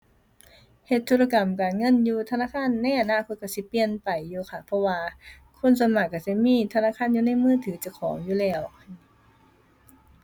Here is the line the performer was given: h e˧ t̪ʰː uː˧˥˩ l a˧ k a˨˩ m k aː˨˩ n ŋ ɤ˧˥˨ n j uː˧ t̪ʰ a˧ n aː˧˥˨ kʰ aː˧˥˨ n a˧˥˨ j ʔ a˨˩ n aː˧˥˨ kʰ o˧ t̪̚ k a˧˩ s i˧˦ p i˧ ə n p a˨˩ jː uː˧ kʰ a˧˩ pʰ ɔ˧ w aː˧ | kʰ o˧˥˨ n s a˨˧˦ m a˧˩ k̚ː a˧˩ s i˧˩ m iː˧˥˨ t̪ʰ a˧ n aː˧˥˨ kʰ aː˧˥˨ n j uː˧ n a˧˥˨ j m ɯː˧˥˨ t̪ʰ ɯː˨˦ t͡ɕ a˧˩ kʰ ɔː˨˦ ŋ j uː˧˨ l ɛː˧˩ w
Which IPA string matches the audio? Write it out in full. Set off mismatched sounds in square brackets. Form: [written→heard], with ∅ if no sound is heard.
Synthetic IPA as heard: h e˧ t̪ʰː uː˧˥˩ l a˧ k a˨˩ m k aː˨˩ n ŋ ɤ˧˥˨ n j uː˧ t̪ʰ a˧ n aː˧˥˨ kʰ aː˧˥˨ [n→nː] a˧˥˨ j ʔ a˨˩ n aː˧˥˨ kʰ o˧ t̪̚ k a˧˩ s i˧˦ p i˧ ə n p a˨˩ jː uː˧ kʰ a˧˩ pʰ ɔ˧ w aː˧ | kʰ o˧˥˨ n s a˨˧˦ m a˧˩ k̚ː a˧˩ s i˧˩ m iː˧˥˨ t̪ʰ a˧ n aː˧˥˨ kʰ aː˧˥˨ n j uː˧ n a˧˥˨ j m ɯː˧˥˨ t̪ʰ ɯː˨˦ t͡ɕ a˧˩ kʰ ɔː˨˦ ŋ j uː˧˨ l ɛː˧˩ w